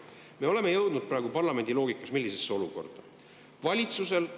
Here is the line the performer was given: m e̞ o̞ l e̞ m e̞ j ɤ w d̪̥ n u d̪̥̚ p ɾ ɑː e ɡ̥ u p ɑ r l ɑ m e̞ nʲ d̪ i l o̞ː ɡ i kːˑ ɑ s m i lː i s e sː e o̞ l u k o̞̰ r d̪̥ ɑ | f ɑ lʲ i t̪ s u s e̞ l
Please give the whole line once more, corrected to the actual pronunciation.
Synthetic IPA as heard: m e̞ o̞ l e̞ m e̞ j ɤ w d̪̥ n u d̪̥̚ p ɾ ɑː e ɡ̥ u p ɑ r l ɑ m e̞ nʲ d̪ i l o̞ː ɡ i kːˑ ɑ s m i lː i s e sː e o̞ l u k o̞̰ r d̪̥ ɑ | v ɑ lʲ i t̪ s u s e̞ l